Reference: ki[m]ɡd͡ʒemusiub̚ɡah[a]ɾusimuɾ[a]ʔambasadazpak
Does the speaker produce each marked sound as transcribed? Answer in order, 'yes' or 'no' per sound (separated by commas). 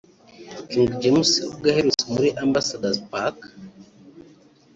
no, no, no